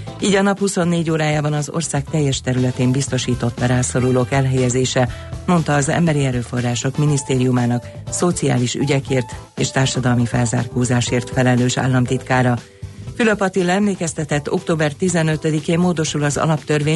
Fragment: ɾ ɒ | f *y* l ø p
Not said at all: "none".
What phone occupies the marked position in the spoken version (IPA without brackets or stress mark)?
y